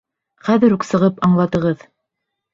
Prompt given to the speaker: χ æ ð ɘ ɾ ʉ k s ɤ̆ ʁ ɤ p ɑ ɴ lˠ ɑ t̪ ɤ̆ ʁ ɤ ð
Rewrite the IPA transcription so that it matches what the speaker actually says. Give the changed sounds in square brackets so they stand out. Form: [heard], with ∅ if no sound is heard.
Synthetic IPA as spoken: χ æ ð ɘ ɾ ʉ k s ɤ̆ ʁ ɤ p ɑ ɴ lˠ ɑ t̪ ɤ̆ ʁ ɤ ð